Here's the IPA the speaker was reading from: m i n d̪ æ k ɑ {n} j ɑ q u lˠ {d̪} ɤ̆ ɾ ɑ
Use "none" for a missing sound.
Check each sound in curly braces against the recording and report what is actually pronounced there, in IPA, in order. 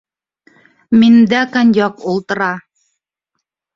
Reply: n, t̪

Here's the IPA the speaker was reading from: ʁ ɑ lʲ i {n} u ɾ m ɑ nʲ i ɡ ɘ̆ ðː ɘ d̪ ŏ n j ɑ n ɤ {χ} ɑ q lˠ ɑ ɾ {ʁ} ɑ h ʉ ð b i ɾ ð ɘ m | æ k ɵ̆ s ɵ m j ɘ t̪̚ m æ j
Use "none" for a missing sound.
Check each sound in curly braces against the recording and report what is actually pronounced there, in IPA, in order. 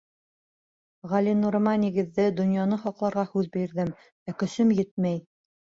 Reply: n, χ, ʁ

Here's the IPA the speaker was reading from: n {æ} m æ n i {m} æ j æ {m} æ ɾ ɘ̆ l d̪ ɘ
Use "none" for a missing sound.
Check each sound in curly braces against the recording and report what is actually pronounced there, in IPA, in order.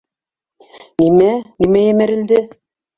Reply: i, m, m

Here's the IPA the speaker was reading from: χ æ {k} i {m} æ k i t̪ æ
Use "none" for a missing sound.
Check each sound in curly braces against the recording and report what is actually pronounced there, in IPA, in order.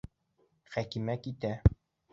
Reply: k, m

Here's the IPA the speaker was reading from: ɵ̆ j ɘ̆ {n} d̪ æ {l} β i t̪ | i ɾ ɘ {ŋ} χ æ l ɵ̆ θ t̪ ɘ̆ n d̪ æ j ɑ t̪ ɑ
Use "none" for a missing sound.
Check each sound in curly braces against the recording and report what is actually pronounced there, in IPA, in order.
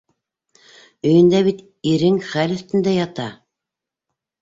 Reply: n, none, ŋ

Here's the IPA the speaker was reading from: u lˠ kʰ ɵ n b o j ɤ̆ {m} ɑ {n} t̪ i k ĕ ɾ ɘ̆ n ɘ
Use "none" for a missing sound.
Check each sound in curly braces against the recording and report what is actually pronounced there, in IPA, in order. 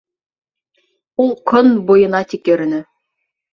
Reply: n, none

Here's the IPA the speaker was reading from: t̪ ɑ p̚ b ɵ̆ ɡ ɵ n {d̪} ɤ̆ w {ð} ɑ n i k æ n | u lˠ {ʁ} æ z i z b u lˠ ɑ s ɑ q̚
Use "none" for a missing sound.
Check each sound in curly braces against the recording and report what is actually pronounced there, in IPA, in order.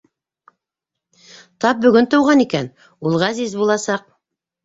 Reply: t̪, ʁ, ʁ

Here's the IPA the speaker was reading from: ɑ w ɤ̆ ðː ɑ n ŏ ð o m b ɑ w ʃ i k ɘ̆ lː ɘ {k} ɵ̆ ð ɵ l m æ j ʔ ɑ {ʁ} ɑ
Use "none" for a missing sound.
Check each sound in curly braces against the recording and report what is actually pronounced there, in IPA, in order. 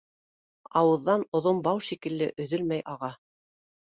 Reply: ʔ, ʁ

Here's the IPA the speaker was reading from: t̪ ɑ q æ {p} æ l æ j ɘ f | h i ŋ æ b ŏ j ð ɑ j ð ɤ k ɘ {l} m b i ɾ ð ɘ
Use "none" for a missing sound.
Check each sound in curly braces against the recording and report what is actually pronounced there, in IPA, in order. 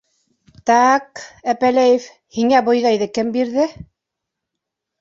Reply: p, none

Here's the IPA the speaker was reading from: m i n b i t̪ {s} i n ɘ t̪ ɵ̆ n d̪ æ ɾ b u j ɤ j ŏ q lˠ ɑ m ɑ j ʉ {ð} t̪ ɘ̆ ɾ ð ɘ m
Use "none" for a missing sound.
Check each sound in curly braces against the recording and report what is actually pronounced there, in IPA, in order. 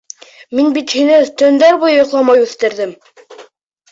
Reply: h, θ

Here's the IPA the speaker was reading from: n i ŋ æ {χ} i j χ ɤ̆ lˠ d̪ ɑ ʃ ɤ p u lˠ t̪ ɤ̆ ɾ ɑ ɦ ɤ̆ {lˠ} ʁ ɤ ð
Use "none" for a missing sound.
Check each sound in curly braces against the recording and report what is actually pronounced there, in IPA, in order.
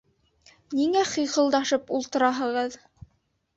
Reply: χ, none

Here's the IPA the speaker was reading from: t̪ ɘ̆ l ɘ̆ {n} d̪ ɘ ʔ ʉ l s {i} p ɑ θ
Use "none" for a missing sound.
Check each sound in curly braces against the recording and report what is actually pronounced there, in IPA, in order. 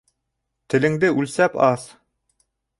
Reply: ŋ, æ

